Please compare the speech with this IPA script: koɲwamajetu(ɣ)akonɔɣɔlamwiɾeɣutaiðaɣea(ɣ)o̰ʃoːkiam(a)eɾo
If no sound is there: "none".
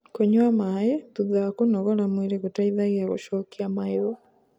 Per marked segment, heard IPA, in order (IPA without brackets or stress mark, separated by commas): ð, ɣ, a